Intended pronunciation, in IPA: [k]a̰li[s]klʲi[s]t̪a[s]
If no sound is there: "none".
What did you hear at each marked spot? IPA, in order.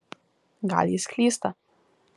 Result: ɡ, s, s, none

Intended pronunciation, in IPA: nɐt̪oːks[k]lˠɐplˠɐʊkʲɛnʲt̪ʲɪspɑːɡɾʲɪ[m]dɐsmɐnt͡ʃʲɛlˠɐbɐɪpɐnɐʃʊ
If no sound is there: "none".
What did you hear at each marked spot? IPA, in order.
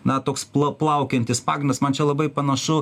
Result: p, n

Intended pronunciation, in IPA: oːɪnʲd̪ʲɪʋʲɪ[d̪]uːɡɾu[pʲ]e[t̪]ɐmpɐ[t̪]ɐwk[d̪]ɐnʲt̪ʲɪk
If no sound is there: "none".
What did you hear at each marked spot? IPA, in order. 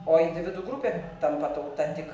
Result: d̪, pʲ, t̪, t̪, t̪

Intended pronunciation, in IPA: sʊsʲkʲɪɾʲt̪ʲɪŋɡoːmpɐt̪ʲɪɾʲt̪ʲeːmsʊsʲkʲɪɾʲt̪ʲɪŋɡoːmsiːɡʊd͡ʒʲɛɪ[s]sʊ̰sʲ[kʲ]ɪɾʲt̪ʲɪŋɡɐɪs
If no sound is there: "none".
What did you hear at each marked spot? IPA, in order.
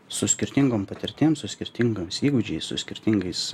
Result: s, kʲ

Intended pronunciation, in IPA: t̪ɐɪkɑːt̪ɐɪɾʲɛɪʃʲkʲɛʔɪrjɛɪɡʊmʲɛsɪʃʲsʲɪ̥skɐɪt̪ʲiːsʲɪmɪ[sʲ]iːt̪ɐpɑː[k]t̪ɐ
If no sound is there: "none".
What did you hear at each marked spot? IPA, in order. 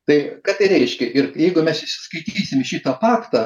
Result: ʃʲ, k

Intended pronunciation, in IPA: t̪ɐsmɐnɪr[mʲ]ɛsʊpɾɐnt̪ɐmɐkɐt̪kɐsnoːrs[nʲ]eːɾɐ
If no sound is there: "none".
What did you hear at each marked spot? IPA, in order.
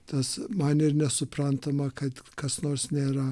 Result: nʲ, nʲ

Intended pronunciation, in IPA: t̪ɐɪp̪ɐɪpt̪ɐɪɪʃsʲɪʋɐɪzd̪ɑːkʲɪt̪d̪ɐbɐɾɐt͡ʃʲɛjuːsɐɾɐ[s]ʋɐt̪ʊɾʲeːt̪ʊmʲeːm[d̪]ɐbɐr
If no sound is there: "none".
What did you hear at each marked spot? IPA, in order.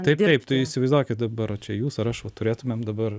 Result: ʃ, d̪

